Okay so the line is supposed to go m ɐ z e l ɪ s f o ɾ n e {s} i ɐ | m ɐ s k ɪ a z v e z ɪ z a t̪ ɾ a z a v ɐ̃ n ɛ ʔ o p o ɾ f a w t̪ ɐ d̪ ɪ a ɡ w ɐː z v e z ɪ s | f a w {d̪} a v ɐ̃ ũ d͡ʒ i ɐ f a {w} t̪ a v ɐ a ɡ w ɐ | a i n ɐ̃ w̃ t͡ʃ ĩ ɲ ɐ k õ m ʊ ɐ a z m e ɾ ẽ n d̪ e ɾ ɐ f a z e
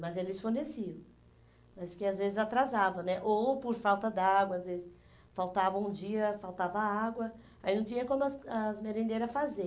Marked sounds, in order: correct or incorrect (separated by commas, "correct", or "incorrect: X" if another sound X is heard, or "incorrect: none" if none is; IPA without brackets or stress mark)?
correct, incorrect: t̪, correct